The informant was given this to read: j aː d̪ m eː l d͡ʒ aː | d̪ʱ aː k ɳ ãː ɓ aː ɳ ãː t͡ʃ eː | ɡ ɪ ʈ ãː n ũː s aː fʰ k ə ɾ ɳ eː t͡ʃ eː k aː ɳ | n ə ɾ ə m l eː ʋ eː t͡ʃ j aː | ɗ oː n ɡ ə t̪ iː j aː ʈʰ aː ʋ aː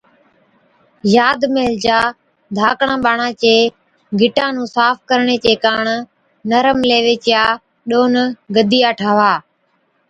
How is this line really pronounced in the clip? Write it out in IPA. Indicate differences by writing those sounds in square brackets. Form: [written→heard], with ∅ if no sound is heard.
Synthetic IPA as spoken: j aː d̪ m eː l d͡ʒ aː | d̪ʱ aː k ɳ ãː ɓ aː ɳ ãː t͡ʃ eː | ɡ ɪ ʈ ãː n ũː s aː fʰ k ə ɾ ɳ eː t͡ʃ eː k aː ɳ | n ə ɾ ə m l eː ʋ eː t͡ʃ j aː | ɗ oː n ɡ ə [t̪→d̪] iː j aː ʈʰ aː ʋ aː